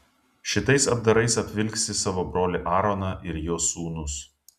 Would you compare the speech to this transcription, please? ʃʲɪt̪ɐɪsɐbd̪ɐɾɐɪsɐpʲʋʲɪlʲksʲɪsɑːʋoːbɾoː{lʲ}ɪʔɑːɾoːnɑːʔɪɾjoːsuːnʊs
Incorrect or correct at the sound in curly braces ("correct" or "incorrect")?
correct